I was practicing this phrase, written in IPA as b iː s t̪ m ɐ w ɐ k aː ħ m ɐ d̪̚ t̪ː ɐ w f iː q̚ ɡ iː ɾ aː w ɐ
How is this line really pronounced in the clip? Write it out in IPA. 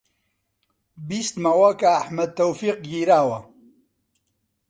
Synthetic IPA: b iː s t̪ m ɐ w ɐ k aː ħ m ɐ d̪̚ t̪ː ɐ w f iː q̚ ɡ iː ɾ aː w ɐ